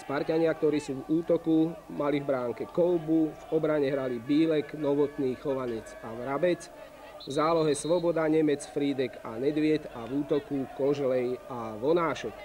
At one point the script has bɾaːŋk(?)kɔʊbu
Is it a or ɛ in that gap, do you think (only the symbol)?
ɛ